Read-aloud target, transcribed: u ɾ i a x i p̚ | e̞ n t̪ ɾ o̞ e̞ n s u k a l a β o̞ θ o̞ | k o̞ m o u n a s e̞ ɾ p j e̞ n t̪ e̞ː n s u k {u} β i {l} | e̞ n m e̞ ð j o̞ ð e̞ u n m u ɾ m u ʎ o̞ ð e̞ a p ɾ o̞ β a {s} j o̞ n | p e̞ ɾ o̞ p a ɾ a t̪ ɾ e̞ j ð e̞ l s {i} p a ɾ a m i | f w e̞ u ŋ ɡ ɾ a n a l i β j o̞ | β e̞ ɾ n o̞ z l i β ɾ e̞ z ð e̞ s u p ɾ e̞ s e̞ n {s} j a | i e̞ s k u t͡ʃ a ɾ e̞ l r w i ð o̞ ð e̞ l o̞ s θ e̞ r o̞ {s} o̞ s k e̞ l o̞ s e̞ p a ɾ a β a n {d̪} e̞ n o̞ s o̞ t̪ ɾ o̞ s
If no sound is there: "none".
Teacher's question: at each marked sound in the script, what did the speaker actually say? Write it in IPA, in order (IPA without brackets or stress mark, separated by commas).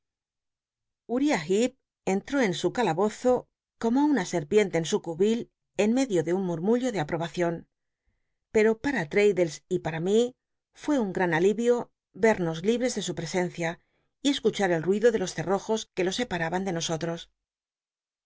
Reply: u, l, θ, i, θ, x, d̪